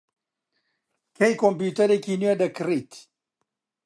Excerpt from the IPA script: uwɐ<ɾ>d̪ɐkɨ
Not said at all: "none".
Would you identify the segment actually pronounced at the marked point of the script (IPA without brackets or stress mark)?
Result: none